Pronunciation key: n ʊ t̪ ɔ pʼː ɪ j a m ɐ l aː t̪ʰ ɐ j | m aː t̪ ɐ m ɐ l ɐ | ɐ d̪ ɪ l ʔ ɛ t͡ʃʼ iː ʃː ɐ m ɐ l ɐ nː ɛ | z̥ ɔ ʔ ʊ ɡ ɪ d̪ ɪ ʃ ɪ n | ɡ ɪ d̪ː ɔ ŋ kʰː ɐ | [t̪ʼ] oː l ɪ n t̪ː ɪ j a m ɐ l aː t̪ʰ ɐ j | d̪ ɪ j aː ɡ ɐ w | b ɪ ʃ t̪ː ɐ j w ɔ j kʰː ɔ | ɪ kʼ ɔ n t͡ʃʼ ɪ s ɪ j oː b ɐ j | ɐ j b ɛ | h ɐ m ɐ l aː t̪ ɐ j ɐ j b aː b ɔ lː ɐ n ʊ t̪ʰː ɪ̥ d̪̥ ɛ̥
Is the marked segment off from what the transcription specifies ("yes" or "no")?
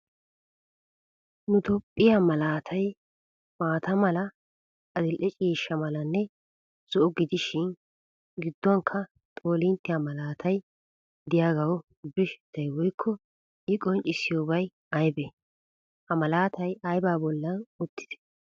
no